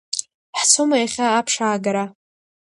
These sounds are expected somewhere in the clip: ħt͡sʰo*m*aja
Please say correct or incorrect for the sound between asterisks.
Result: correct